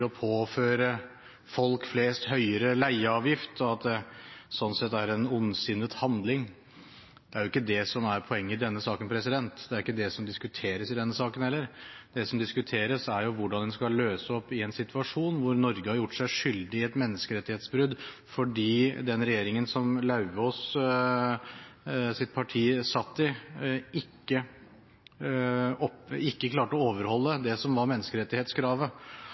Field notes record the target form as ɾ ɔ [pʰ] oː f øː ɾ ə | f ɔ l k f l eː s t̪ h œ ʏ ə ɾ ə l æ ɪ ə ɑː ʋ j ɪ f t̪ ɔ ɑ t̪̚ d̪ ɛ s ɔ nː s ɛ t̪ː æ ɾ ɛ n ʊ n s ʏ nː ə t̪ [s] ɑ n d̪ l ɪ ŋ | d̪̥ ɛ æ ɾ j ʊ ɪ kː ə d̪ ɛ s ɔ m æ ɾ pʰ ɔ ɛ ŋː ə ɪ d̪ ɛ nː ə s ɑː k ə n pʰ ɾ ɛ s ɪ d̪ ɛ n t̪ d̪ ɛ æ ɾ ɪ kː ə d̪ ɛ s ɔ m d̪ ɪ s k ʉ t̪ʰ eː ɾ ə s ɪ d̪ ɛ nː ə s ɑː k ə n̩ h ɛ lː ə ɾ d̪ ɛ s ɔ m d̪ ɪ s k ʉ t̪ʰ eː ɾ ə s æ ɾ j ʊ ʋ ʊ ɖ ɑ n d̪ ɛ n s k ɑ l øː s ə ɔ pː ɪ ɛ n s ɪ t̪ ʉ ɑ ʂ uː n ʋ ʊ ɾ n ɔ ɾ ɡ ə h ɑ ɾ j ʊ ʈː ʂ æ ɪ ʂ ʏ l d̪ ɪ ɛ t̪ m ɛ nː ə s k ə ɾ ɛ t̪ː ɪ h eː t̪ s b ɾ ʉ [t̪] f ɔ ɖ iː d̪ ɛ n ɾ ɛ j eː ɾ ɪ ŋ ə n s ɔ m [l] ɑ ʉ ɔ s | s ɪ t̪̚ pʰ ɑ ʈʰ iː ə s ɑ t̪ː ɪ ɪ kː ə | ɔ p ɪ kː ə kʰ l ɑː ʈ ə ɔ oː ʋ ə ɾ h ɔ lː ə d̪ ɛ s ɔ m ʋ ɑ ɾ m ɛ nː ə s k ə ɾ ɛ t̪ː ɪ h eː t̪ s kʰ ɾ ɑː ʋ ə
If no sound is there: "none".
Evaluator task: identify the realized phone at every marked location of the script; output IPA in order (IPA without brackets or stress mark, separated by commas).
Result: pʰ, h, d̪, l